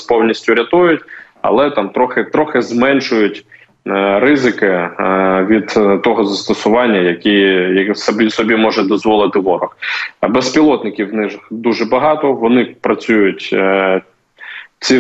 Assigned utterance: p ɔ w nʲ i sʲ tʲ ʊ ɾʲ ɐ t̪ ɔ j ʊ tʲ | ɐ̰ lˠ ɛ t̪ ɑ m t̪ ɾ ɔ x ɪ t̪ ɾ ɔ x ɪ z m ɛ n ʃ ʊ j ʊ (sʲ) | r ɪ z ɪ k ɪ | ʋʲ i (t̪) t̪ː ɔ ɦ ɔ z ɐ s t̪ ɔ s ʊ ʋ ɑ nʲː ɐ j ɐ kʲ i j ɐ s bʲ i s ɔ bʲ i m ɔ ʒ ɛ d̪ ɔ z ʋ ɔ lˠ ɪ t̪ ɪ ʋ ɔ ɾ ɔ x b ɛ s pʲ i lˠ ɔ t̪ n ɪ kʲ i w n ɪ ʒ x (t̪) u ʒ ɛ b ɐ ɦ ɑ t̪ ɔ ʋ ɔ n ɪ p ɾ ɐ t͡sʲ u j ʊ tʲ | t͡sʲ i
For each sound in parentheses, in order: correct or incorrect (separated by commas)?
incorrect, incorrect, incorrect